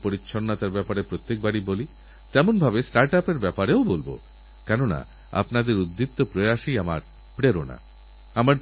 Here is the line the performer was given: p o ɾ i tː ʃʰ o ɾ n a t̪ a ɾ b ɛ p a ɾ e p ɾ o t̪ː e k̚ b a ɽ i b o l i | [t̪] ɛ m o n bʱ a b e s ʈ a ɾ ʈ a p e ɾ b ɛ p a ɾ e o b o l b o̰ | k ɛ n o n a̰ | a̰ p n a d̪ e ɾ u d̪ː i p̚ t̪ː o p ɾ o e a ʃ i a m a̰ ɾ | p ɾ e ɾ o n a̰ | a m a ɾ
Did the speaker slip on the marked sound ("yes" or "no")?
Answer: no